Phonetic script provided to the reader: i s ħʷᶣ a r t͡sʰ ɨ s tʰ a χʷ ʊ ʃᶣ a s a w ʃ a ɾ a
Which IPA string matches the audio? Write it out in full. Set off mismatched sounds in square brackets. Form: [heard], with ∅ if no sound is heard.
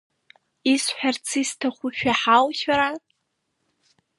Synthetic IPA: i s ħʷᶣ a r t͡sʰ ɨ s tʰ a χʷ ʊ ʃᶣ a [ħ] a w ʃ a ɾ a